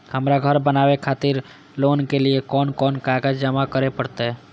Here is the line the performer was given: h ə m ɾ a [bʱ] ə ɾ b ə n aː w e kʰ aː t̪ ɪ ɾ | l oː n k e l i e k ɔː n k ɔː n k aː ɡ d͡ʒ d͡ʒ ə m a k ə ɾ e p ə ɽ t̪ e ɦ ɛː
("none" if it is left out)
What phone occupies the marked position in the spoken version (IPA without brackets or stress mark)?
ɡʱ